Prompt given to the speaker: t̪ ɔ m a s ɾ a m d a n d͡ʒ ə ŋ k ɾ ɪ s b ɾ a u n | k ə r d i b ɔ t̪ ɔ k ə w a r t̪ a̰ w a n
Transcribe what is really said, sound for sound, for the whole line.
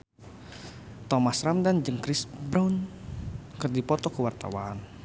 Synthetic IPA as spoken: t̪ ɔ m a s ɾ a m d a n d͡ʒ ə ŋ k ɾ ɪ s b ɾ a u n | k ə r d i p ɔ t̪ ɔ k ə w a r t̪ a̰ w a n